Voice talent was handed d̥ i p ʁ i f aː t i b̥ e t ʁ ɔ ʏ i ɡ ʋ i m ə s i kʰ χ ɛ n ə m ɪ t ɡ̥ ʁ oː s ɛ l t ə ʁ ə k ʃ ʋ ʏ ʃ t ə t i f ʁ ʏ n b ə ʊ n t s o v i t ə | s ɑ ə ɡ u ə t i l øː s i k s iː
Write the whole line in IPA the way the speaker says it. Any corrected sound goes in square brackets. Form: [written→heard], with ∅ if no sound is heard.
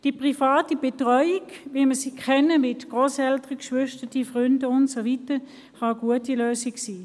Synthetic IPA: d̥ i p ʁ i f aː t i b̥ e t ʁ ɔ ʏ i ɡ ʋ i m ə s i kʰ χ ɛ n ə m ɪ t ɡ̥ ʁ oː s ɛ l t ə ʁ ə k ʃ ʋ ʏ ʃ t ə t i f ʁ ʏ n [b→d] ə ʊ n t s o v i t ə | [s→χ] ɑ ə ɡ u ə t i l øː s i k s iː

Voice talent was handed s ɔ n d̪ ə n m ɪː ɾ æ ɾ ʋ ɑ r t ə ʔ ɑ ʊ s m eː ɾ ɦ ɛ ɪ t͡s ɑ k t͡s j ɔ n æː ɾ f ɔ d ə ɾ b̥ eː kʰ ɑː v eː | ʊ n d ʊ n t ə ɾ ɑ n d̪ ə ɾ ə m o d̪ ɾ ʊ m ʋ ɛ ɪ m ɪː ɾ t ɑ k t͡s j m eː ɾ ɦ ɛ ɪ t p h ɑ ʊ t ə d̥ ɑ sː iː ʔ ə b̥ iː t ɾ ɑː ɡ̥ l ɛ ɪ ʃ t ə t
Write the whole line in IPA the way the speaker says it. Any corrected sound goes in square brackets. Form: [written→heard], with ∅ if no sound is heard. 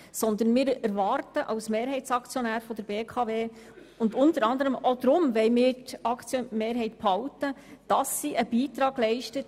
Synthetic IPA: s ɔ n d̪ ə n m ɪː ɾ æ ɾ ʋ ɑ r t ə ʔ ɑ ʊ s m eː ɾ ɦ ɛ ɪ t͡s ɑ k t͡s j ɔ n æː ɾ f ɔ d ə ɾ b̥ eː kʰ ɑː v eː | ʊ n d ʊ n t ə ɾ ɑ n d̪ ə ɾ ə m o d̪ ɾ ʊ m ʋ ɛ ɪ m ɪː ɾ t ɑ k t͡s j m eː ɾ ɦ ɛ ɪ t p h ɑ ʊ t ə d̥ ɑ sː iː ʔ ə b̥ iː t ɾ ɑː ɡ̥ l ɛ ɪ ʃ t ə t

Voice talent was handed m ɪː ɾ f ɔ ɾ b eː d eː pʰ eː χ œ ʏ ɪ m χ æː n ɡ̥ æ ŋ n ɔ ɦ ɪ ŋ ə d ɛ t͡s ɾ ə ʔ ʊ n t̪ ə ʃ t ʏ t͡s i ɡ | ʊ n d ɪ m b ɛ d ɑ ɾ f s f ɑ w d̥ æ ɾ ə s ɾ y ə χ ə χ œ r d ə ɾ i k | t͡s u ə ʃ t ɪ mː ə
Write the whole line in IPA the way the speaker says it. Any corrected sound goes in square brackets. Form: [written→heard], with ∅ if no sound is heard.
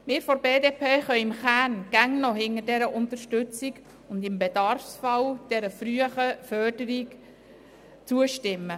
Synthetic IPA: m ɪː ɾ f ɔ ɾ b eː d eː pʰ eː χ œ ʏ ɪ m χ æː n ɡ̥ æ ŋ n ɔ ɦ ɪ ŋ ə d ɛ [t͡s→∅] ɾ ə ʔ ʊ n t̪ ə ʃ t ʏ t͡s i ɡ | ʊ n d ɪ m b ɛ d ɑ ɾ f s f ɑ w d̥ [æ→ɛ] ɾ ə [s→f] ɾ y ə χ ə [χ→f] œ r d ə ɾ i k | t͡s u ə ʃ t ɪ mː ə

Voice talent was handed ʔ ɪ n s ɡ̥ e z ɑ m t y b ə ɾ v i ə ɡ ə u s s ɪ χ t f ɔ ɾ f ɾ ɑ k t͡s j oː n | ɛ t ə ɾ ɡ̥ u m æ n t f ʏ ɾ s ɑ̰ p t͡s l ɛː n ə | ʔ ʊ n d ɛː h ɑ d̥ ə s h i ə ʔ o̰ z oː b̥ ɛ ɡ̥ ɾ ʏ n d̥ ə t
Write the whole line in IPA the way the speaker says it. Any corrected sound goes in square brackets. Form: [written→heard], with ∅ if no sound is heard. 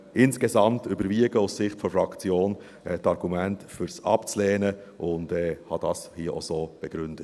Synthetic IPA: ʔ ɪ n s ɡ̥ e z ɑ m t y b ə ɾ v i ə ɡ ə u s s ɪ χ t f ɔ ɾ f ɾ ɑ k t͡s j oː n | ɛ t [ə→ɑ] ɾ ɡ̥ u m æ n t f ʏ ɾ s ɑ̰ p t͡s l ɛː n ə | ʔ ʊ n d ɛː h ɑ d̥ [ə→ɑ] s h i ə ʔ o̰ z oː b̥ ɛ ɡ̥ ɾ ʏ n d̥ ə t

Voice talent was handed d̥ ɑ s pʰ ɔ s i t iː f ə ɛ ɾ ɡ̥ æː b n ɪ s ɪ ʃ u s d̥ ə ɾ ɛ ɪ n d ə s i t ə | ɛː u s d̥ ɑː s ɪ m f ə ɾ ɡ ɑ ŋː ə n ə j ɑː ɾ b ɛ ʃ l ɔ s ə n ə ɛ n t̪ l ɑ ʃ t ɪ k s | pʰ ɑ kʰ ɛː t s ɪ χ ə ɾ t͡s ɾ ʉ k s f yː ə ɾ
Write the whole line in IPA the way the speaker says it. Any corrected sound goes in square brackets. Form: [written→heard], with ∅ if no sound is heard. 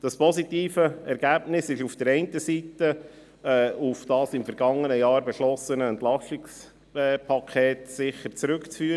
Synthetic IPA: d̥ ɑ s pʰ ɔ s i t iː f ə ɛ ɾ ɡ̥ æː b n ɪ s ɪ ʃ u [s→f] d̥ ə ɾ ɛ ɪ n [d→t] ə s i t ə | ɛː u [s→f] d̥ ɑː s ɪ m f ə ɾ ɡ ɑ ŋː ə n ə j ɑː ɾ b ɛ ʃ l ɔ s ə n ə ɛ n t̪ l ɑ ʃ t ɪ k s | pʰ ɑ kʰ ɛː t s ɪ χ ə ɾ t͡s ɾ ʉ k [s→t͡s] f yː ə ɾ

